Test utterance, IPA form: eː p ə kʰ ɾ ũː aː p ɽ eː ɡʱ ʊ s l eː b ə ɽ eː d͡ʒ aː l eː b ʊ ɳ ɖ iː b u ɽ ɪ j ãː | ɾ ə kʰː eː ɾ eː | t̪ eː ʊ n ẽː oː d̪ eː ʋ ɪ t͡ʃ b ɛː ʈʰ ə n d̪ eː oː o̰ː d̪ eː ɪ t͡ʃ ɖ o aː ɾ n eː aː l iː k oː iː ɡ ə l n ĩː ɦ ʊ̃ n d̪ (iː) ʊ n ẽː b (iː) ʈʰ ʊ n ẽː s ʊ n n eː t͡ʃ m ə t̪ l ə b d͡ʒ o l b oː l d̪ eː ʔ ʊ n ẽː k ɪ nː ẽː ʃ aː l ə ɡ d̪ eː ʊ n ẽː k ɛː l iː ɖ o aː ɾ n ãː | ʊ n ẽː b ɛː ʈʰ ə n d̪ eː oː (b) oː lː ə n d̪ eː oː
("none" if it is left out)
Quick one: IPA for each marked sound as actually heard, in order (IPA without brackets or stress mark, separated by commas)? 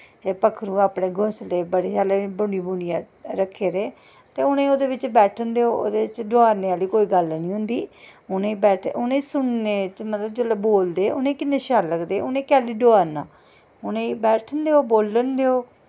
iː, ɛː, b